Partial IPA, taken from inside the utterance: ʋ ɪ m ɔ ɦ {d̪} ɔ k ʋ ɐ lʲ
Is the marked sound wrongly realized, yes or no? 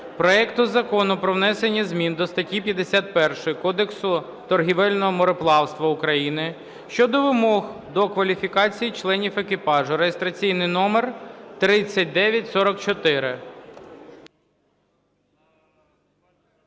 no